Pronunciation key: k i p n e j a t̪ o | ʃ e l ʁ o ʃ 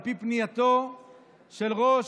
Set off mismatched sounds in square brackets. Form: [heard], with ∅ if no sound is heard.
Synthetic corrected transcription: [p] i p n [i] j a t̪ o | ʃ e l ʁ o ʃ